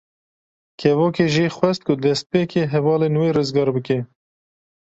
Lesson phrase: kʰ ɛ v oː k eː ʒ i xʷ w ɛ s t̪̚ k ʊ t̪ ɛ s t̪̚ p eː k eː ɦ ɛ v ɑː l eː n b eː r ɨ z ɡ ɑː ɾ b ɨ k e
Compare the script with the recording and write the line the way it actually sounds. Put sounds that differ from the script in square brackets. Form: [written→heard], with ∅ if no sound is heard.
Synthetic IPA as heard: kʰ ɛ v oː k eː ʒ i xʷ w ɛ s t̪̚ k ʊ [t̪→d̪] ɛ s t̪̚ p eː k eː ɦ ɛ v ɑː l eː n [b→w] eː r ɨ z ɡ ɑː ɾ b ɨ k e